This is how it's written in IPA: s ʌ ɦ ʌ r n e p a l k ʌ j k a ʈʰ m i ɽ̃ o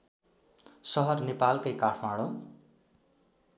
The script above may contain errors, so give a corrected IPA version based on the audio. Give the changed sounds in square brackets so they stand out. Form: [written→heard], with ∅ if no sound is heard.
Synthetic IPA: s ʌ ɦ ʌ r n e p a l k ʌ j k a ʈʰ m [i→a] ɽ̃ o